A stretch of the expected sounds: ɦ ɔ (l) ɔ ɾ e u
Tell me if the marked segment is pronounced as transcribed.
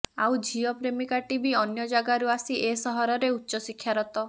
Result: no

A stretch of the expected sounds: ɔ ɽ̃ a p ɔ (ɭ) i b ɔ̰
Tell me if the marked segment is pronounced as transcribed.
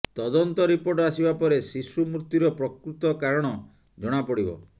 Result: no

